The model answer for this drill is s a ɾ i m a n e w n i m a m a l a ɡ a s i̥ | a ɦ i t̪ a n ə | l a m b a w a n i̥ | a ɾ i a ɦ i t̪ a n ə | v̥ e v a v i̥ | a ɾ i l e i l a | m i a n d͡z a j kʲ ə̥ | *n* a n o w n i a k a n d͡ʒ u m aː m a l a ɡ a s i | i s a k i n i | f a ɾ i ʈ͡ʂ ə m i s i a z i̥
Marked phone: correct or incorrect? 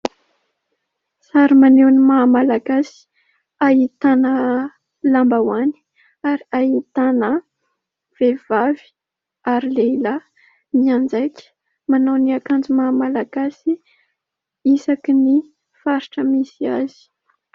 incorrect